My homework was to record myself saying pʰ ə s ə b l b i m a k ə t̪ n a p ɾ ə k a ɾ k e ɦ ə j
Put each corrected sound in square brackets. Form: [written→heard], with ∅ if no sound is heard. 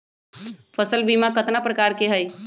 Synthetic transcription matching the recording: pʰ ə s ə [b→∅] l b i m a k ə t̪ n a p ɾ ə k a ɾ k e ɦ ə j